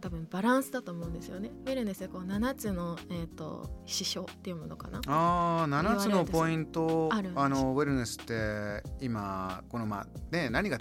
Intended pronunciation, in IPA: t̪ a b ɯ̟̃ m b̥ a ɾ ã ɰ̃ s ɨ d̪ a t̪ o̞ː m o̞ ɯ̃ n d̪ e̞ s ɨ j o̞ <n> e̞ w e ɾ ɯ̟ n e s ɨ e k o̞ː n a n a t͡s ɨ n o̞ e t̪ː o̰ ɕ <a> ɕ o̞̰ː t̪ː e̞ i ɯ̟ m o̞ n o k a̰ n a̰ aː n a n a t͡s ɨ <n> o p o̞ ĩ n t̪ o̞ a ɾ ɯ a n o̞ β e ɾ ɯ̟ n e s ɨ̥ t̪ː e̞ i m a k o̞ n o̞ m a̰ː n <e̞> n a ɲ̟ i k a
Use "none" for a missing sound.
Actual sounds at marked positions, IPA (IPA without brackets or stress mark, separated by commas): n, i, n, e̞